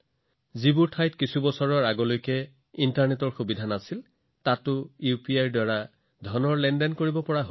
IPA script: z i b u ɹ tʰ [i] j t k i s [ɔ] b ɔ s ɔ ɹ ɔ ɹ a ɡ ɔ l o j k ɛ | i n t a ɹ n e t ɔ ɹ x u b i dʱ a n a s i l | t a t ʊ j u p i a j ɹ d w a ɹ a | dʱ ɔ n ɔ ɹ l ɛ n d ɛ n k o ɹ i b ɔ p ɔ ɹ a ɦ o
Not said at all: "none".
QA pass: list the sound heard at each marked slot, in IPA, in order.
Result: a, u

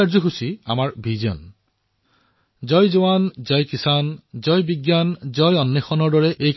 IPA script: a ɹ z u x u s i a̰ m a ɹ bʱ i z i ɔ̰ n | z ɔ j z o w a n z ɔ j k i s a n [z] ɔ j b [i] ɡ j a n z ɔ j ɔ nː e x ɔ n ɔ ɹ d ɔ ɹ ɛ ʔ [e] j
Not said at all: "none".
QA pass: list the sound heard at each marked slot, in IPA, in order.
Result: z, i, e

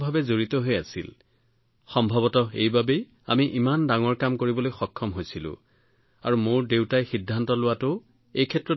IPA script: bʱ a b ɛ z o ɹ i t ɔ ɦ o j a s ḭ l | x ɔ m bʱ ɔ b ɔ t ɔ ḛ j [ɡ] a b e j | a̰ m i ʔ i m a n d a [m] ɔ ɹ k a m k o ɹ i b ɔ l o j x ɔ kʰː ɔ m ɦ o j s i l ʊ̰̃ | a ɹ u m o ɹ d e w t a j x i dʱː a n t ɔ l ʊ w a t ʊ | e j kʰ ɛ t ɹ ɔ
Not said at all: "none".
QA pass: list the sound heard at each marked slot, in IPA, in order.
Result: b, ŋ

